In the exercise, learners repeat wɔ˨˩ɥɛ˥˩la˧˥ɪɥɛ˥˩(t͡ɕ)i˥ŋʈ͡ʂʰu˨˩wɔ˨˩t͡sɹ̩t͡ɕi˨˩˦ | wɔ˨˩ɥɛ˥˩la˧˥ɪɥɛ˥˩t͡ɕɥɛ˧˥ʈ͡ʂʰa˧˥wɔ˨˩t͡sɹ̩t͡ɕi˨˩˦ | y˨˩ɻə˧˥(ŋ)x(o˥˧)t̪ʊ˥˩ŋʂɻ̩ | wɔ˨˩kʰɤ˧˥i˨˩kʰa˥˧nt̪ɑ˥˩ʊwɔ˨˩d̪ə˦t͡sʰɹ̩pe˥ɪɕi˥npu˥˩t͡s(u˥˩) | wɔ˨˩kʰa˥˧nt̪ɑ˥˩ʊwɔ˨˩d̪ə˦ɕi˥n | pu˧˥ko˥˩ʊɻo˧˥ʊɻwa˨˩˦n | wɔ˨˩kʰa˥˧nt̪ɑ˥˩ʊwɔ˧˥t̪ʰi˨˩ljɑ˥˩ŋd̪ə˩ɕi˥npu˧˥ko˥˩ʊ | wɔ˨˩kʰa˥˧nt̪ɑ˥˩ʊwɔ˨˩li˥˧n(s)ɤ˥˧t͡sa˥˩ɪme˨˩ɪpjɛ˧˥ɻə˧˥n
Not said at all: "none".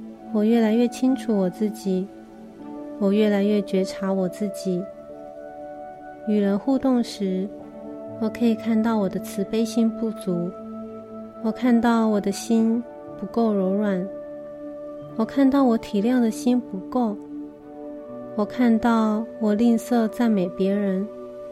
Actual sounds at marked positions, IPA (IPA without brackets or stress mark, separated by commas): t͡ɕʰ, n, u˥˧, u˧˥, s